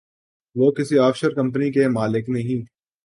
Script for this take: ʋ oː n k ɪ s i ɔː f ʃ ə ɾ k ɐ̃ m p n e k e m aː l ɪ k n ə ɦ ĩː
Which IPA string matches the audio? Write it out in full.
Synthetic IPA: ʋ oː k ɪ s i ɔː f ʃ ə ɾ k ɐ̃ m p n i k e m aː l ɪ k n ɐ ɦ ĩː